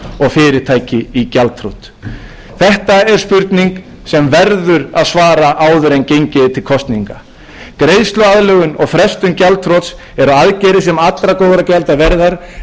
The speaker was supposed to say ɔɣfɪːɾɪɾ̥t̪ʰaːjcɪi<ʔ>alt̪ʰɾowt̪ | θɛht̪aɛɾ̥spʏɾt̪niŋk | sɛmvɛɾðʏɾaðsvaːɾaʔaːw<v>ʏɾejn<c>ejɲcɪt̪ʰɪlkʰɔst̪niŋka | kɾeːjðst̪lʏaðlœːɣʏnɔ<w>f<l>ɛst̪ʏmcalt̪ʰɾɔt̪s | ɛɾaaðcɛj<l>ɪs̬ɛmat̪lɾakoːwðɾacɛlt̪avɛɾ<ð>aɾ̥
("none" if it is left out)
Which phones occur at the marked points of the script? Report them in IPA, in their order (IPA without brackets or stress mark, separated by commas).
c, ð, c, ɣ, ɾ, ɾ, ð